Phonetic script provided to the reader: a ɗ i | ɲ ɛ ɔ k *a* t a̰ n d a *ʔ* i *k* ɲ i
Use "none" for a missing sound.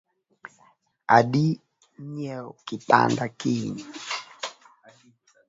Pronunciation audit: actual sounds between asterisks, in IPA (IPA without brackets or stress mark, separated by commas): i, k, none